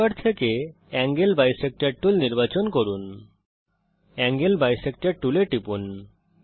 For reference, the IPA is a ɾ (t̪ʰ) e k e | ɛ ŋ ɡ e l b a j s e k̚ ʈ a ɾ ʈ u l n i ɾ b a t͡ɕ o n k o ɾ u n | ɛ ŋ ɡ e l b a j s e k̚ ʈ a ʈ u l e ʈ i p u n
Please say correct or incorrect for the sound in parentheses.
correct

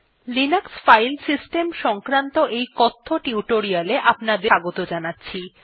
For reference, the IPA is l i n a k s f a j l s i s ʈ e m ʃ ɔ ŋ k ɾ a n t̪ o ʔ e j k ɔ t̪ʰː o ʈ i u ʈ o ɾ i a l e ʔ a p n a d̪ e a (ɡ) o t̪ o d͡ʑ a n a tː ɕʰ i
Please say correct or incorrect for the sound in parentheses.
correct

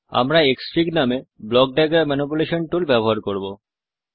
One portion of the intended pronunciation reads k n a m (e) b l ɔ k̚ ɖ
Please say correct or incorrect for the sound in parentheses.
correct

